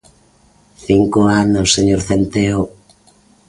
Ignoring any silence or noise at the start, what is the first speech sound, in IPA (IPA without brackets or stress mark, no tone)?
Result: θ